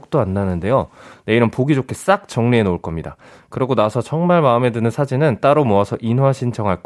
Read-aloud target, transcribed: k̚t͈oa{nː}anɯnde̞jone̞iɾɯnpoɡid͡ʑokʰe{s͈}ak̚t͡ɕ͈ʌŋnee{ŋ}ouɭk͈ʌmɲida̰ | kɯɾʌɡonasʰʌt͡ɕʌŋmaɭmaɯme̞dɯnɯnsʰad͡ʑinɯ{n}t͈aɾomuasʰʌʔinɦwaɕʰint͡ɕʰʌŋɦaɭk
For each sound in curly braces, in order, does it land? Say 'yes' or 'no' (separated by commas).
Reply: yes, yes, no, yes